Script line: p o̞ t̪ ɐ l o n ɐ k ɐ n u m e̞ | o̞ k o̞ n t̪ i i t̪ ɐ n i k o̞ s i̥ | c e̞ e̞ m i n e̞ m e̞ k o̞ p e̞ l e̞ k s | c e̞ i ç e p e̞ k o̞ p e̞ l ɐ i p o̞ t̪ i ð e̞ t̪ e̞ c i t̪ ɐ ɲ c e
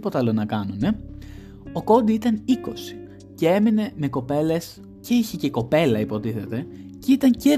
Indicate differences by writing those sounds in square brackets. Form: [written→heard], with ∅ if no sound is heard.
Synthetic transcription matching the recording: p o̞ t̪ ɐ l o n ɐ k ɐ n u [m→n] e̞ | o̞ k o̞ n [t̪→d̪] i i t̪ ɐ n i k o̞ s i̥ | c e̞ e̞ m i n e̞ m e̞ k o̞ p e̞ l e̞ [k→∅] s | c e̞ i ç e [p→c] e̞ k o̞ p e̞ l ɐ i p o̞ t̪ i [ð→θ] e̞ t̪ e̞ c i t̪ ɐ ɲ c e